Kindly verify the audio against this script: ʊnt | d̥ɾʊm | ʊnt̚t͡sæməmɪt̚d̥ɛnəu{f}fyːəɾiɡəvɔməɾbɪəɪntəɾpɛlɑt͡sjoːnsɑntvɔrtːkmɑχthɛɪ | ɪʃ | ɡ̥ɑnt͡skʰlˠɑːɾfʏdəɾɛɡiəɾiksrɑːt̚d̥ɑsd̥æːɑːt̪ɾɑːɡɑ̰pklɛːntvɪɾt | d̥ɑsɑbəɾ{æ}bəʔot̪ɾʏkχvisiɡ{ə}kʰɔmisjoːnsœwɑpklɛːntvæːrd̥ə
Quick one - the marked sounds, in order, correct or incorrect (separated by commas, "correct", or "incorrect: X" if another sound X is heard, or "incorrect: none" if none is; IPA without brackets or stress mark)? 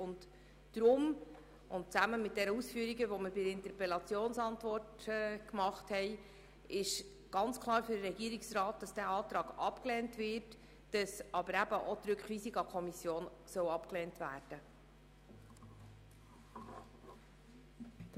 incorrect: s, correct, incorrect: ɑ